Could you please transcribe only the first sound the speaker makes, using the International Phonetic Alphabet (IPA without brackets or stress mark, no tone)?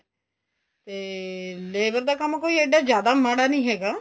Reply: t̪